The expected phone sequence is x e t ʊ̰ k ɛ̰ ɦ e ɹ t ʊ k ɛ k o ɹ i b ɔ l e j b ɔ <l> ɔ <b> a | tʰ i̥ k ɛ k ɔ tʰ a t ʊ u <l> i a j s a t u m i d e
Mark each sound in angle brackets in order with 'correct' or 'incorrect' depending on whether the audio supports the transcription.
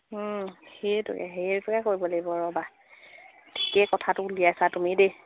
incorrect: ɹ, correct, correct

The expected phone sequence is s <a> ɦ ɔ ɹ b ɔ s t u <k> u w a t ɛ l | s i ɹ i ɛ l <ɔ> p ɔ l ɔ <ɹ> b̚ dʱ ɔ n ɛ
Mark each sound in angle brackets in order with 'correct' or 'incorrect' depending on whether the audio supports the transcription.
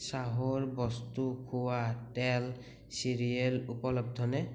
correct, incorrect: kʰ, incorrect: u, incorrect: none

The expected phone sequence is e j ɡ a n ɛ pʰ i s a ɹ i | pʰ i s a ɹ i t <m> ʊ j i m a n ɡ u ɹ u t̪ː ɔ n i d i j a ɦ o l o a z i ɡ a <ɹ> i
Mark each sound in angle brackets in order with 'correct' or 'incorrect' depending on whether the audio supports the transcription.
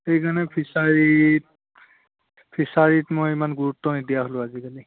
correct, incorrect: l

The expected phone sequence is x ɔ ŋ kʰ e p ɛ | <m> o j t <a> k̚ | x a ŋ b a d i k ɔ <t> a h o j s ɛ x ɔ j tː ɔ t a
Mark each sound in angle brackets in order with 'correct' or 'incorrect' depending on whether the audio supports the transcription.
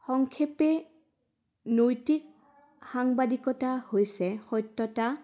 incorrect: n, incorrect: i, correct

